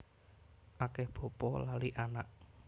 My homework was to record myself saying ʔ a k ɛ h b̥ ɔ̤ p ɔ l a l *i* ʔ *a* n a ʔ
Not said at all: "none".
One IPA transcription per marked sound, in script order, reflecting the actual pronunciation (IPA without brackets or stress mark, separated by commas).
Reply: i, a